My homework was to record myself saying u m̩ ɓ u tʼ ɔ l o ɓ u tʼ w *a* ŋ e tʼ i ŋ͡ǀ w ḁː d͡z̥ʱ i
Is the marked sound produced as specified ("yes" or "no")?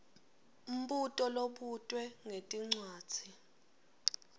no